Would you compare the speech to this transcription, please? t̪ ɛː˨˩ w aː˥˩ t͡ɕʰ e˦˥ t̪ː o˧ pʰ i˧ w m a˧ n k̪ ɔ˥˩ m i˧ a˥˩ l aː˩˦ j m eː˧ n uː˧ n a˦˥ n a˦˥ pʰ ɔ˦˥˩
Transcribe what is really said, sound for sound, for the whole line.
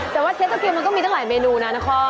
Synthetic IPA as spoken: t̪ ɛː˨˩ w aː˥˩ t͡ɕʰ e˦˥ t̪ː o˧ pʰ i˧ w m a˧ n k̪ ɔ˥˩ m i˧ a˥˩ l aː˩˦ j m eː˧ n uː˧ n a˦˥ n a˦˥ kʰ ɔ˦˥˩

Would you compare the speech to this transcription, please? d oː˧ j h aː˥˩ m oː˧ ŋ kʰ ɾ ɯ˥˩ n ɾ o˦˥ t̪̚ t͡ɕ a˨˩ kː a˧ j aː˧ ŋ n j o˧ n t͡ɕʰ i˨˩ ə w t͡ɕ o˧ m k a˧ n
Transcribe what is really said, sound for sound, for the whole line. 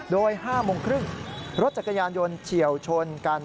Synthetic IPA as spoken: d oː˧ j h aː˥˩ m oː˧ ŋ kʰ ɾ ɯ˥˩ ŋ ɾ o˦˥ t̪̚ t͡ɕ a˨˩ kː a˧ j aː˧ n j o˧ n t͡ɕʰ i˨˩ ə w t͡ɕʰ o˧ n k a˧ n

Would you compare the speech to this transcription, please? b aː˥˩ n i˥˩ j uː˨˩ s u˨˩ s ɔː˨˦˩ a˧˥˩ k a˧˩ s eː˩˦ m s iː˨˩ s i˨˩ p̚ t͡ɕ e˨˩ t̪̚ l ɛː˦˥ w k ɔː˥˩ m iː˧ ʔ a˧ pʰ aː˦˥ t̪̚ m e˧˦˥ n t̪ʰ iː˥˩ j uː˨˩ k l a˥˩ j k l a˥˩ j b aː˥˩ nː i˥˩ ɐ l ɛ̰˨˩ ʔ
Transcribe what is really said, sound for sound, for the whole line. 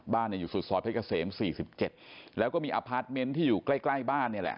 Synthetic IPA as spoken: b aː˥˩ n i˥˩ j uː˨˩ s u˨˩ s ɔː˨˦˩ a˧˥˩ k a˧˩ s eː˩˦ m s iː˨˩ s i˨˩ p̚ t͡ɕ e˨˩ t̪̚ l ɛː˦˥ w k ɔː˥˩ m iː˧ ʔ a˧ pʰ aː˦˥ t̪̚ m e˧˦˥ n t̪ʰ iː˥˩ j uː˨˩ k l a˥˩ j k l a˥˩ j b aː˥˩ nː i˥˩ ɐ l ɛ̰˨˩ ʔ

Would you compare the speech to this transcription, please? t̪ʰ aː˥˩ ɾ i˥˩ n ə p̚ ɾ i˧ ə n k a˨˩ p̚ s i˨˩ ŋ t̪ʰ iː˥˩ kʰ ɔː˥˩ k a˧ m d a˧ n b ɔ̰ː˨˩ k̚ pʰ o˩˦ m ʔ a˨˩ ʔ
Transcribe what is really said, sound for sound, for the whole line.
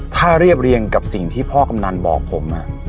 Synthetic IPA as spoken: t̪ʰ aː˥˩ ɾ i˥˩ ə p̚ ɾ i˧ ə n k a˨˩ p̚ s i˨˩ ŋ t̪ʰ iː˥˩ pʰ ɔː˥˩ k a˧ m n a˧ n b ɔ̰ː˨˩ k̚ pʰ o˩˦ m ʔ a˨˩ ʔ

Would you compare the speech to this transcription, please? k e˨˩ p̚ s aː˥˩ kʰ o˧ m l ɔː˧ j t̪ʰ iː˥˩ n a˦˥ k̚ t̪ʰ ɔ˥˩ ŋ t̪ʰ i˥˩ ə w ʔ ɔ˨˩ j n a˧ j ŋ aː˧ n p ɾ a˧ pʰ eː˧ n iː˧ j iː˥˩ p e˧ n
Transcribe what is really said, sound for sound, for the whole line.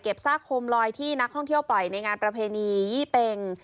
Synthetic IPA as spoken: k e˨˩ p̚ s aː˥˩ kʰ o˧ m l ɔː˧ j t̪ʰ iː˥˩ n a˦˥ k̚ t̪ʰ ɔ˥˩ ŋ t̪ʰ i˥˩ ə w p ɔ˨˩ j n a˧ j ŋ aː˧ n p ɾ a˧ pʰ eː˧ n iː˧ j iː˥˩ p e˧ ŋ

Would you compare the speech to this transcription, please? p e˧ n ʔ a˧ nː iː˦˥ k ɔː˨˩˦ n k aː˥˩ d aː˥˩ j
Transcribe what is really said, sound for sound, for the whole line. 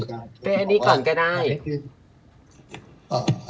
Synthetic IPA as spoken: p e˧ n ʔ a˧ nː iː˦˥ k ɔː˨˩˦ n k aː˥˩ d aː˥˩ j

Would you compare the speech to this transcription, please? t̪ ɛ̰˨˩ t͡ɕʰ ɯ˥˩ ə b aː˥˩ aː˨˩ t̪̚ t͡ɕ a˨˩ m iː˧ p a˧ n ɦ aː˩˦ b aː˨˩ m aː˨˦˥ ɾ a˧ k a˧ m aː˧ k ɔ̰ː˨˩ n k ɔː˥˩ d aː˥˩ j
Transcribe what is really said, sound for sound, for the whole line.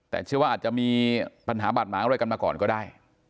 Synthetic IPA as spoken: t̪ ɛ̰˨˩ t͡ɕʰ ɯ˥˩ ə w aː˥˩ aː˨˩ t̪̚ t͡ɕ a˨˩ m iː˧ p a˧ n ɦ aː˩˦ b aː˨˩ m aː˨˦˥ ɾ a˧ k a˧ m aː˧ k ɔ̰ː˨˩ n k ɔː˥˩ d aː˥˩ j

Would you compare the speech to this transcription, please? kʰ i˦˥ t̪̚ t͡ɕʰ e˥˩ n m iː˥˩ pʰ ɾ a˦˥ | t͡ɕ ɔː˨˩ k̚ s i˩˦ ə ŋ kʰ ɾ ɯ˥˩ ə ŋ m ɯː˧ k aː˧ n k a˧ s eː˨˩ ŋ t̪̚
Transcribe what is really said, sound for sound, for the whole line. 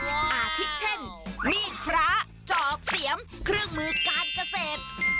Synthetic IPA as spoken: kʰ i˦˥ t̪̚ t͡ɕʰ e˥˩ n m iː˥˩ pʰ ɾ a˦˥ | t͡ɕ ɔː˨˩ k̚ s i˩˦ ə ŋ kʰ ɾ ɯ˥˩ ə ŋ m ɯː˧ k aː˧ n k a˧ s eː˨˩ t̪̚

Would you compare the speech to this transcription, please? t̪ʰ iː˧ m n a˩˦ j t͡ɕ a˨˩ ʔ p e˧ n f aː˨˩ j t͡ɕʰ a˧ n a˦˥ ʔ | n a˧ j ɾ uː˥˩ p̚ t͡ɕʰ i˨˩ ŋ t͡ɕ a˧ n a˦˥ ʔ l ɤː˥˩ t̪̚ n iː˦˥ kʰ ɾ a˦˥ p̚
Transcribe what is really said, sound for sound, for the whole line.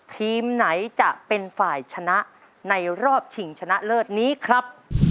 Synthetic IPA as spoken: t̪ʰ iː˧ m n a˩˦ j t͡ɕ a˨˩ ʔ p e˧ n f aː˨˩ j t͡ɕʰ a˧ n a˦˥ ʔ | n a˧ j ɾ ɔː˥˩ p̚ t͡ɕʰ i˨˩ ŋ t͡ɕʰ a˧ n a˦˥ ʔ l ɤː˥˩ t̪̚ n iː˦˥ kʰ ɾ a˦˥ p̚

